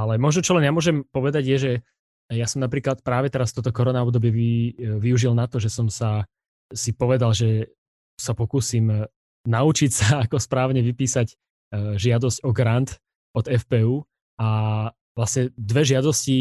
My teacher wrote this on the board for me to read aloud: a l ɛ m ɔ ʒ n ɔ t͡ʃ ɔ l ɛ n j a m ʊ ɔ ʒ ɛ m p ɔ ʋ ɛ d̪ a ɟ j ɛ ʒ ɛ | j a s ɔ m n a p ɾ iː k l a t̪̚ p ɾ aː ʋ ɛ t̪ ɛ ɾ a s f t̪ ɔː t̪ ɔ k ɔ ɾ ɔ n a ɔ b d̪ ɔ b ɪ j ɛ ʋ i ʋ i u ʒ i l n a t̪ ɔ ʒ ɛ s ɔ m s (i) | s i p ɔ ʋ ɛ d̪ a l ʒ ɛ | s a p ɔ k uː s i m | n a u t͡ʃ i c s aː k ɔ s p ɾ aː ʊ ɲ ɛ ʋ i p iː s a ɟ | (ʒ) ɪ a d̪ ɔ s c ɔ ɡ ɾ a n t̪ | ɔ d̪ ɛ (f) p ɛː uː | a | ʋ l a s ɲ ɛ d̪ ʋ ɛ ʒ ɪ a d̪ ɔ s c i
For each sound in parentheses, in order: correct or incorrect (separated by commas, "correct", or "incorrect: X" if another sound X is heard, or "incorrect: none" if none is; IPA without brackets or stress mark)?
incorrect: a, correct, correct